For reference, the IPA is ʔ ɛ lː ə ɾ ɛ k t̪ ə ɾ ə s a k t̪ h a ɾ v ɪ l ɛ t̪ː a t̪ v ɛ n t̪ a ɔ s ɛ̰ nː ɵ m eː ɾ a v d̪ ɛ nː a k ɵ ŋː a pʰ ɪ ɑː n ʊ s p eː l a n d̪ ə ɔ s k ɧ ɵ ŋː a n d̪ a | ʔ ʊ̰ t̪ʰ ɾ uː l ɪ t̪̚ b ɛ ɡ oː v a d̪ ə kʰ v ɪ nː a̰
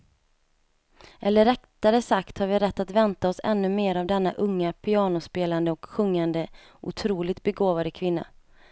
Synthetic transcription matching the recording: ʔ ɛ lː ə ɾ ɛ k t̪ a ɾ ə s a k t̪ h a ɾ v ɪ ɾ ɛ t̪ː a t̪ v ɛ n t̪ a ɔ s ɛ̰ nː ɵ m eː ɾ a v d̪ ɛ nː a ʔ ɵ ŋː a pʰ ɪ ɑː n ʊ s p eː l a n d̪ ə ɔ k ɧ ɵ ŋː a n d̪ ə | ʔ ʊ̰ t̪ʰ ɾ uː l ɪ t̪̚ b ɛ ɡ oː v a d̪ ə kʰ v ɪ nː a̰